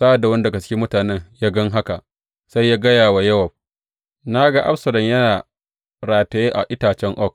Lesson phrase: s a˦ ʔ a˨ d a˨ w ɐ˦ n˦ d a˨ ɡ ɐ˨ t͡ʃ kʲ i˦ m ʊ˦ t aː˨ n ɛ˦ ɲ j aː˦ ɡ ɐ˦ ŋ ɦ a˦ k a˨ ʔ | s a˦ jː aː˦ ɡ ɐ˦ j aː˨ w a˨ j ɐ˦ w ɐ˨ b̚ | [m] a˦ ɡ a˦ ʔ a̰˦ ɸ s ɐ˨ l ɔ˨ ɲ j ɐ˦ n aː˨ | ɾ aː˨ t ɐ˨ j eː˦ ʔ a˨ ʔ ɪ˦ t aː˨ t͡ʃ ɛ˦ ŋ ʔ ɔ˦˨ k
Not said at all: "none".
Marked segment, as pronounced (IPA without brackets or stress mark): n